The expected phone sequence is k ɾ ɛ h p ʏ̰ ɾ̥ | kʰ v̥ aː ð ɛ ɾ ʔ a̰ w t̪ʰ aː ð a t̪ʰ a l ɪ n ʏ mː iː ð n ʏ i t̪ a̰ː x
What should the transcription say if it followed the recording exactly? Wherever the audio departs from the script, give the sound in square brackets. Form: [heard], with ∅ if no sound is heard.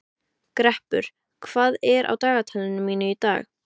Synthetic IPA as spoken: k ɾ ɛ h p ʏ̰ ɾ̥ | kʰ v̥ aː ð ɛ ɾ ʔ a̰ w [t̪] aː [ɣ] a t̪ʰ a l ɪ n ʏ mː iː [∅] n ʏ i t̪ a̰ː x